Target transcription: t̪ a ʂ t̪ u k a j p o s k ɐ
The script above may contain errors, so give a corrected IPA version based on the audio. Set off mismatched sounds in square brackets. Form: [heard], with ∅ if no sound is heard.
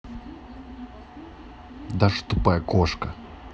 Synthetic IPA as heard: [d̪] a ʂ t̪ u [p] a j [k] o [ʂ] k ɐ